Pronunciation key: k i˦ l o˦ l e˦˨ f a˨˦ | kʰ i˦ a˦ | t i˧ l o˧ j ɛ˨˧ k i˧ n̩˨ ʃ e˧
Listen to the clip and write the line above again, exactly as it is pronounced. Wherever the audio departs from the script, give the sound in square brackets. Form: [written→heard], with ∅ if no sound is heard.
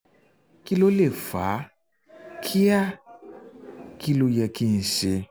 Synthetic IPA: k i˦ l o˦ l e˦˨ f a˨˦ | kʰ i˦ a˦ | [t→k] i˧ l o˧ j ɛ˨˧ k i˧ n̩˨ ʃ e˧

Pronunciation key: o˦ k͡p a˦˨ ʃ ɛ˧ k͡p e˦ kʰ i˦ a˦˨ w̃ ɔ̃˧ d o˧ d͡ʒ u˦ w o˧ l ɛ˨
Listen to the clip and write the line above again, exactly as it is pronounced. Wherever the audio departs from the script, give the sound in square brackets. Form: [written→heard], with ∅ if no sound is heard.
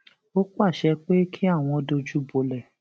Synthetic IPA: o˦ k͡p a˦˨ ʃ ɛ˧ k͡p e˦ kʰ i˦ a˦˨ w̃ ɔ̃˧ d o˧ d͡ʒ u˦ [w→b] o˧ l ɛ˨

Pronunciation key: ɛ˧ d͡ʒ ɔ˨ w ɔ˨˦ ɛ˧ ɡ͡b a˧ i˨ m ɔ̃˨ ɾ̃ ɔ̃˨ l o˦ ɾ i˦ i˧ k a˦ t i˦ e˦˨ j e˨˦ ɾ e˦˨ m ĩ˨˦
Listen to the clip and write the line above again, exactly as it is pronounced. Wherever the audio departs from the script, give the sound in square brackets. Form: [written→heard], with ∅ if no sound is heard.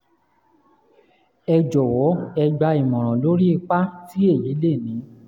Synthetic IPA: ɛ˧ d͡ʒ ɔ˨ w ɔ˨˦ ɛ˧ ɡ͡b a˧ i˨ m ɔ̃˨ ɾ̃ ɔ̃˨ l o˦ ɾ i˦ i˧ [k→k͡p] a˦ t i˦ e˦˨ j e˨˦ [ɾ→l] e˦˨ [m→n] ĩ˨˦

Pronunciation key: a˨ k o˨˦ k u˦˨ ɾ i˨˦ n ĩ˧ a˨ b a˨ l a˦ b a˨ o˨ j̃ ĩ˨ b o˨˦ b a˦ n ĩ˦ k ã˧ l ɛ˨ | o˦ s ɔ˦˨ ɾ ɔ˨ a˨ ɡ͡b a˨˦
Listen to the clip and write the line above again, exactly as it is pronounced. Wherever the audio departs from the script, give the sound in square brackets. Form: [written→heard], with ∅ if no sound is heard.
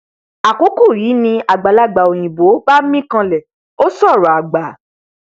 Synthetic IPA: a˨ k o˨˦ k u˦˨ ɾ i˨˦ n ĩ˧ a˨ [b→ɡ͡b] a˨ l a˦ [b→ɡ͡b] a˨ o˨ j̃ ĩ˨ b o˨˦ b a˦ [n→m] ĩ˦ k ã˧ l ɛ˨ | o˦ s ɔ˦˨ ɾ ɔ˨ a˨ ɡ͡b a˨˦

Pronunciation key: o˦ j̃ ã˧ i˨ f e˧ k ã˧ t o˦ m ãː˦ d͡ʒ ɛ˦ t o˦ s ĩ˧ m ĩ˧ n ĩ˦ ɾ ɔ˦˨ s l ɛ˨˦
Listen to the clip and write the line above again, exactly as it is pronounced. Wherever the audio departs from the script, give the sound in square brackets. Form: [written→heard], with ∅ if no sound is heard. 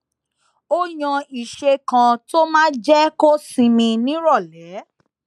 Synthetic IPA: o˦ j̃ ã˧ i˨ [f→ʃ] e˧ k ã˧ t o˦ m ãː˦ d͡ʒ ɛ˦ [t→k] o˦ s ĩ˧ m ĩ˧ n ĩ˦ ɾ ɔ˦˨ [s→∅] l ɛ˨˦

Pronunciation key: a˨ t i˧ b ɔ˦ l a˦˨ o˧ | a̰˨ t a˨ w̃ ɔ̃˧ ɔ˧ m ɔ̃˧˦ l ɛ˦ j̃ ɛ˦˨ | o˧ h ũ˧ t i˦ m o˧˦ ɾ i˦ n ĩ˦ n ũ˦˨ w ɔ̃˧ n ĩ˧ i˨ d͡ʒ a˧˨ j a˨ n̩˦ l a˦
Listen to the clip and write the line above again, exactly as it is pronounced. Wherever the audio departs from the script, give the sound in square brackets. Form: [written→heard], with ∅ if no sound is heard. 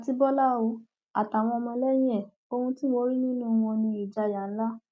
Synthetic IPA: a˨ t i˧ b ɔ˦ l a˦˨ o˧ | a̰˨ t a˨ w̃ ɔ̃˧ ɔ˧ m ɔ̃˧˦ l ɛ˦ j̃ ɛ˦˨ | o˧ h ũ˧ t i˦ m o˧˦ ɾ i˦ n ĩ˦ n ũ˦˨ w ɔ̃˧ n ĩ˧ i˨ d͡ʒ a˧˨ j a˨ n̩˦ l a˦

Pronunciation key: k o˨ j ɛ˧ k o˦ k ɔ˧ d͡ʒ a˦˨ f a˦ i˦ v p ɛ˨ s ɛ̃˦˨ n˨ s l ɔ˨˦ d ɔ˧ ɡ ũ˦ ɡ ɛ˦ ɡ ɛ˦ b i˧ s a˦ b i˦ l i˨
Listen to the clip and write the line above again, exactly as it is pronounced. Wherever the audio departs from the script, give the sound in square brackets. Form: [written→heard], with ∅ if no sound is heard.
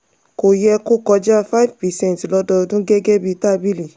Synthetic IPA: k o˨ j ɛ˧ k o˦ k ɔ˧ d͡ʒ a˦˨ f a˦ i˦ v p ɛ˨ s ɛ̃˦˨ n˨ [s→t] l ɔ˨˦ d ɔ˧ [ɡ→d] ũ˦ ɡ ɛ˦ ɡ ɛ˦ b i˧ [s→t] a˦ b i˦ l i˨

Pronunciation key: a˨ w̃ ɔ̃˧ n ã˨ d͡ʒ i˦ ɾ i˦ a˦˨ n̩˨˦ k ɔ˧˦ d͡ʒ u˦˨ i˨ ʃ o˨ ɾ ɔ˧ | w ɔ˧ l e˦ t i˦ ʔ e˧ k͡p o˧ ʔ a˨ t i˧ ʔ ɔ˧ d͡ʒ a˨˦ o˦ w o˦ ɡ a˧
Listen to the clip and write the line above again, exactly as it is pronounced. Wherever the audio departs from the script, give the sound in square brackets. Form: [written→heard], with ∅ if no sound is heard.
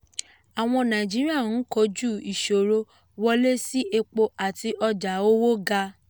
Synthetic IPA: a˨ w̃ ɔ̃˧ n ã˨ d͡ʒ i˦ ɾ i˦ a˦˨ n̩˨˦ k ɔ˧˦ d͡ʒ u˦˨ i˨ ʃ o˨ ɾ [ɔ˧→o˧] | w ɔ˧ l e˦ [t→s] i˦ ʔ e˧ k͡p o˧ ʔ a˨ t i˧ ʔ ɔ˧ d͡ʒ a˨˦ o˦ w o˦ ɡ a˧

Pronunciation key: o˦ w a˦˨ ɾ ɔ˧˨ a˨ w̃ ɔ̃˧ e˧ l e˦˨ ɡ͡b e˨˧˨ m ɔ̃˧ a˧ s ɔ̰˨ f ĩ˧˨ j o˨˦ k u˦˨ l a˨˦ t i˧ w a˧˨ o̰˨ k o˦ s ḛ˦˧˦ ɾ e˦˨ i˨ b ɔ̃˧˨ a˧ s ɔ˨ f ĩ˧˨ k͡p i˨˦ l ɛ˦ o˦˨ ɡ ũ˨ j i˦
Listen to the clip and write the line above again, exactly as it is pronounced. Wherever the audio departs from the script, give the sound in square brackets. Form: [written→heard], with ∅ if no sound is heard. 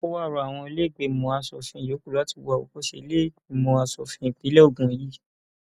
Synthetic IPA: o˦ w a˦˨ ɾ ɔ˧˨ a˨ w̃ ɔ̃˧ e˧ l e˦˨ ɡ͡b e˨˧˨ m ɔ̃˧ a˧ s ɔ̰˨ f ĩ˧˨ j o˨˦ k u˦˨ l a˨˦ t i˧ w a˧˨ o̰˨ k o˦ [s→ʃ] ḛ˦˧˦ [ɾ→l] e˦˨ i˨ [b→m] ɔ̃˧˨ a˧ s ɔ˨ f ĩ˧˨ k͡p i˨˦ l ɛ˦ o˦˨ ɡ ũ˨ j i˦

